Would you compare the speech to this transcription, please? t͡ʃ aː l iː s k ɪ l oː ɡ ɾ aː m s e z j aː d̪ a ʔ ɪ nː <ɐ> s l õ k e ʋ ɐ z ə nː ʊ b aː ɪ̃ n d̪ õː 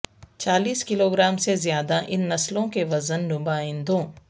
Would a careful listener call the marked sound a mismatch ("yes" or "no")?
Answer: no